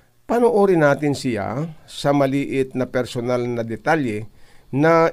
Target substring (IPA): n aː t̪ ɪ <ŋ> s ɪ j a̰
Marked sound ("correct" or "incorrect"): incorrect